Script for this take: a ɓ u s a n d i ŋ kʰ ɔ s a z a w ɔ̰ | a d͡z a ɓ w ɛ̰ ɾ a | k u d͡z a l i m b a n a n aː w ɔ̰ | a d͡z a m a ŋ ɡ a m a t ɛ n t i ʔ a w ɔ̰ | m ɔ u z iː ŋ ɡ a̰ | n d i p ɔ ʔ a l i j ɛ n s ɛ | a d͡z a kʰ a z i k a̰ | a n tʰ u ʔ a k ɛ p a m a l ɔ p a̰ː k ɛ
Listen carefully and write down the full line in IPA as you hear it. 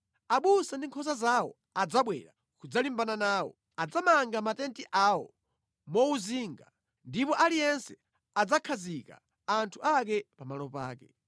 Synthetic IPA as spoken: a ɓ u s a n d i ŋ kʰ ɔ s a z a w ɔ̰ | a d͡z a ɓ w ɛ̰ ɾ a | k u d͡z a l i m b a n a n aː w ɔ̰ | a d͡z a m a ŋ ɡ a m a t ɛ n t i ʔ a w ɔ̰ | m ɔ u z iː ŋ ɡ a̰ | n d i p ɔ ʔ a l i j ɛ n s ɛ | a d͡z a kʰ a z i k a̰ | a n tʰ u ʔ a k ɛ p a m a l ɔ p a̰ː k ɛ